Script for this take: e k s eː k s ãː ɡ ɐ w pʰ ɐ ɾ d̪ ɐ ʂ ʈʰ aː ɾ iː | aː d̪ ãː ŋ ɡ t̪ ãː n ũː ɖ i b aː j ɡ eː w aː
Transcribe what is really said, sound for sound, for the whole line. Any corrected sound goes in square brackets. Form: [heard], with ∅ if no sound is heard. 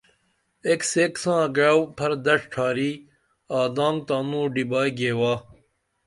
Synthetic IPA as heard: e k s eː k s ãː ɡ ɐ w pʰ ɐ ɾ d̪ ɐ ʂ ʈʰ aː ɾ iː | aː d̪ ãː ŋ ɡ t̪ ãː n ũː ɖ i b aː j ɡ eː w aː